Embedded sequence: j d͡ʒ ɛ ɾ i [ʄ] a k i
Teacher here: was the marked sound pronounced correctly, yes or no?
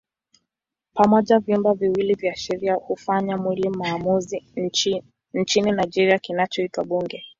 no